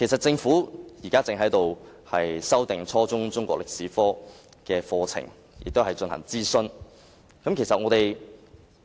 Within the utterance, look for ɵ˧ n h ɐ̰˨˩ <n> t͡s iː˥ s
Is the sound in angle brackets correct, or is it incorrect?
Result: incorrect